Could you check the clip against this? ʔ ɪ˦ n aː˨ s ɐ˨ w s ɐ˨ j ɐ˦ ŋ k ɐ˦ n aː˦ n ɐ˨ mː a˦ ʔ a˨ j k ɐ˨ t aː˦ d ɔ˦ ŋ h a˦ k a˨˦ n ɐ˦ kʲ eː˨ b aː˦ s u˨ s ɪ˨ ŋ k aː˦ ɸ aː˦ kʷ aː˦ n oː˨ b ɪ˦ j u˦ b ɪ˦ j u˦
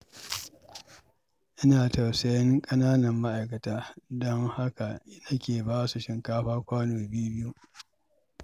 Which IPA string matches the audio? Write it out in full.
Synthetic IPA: ʔ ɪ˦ n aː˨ t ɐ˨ w s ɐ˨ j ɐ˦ ŋ kʼ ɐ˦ n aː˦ n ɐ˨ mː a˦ ʔ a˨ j k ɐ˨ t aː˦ d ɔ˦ ŋ h a˦ k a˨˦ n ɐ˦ kʲ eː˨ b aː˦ s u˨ ʃ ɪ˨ ŋ k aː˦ ɸ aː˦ kʷ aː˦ n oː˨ b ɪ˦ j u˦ b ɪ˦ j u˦